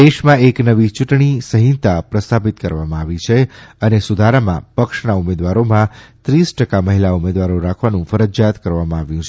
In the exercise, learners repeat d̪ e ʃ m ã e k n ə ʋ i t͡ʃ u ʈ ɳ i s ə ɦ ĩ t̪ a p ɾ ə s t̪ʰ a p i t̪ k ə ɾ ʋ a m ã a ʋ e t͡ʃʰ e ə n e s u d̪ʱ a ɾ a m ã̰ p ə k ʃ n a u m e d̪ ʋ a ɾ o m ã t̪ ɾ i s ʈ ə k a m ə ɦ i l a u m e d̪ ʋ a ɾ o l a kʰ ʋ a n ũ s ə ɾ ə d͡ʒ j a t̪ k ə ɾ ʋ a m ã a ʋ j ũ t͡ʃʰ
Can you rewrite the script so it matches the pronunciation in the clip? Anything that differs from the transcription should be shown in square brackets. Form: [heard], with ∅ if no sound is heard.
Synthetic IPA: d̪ e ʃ m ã e k n ə ʋ i t͡ʃ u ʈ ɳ i s ə ɦ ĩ t̪ a p ɾ ə s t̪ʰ a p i t̪ k ə ɾ ʋ a m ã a ʋ [i] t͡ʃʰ e ə n e s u d̪ʱ a ɾ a m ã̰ p ə k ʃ n a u m e d̪ ʋ a ɾ o m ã t̪ ɾ i s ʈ ə k a m ə ɦ i l a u m e d̪ ʋ a ɾ o [ɾ] a kʰ ʋ a n ũ [f] ə ɾ ə d͡ʒ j a t̪ k ə ɾ ʋ a m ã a ʋ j ũ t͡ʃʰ